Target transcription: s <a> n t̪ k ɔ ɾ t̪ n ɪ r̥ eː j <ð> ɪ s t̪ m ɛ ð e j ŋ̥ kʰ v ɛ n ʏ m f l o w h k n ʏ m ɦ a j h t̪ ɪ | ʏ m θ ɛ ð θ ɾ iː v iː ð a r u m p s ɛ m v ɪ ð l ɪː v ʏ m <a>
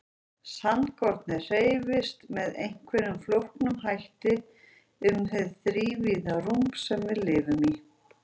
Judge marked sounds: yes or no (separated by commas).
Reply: yes, no, no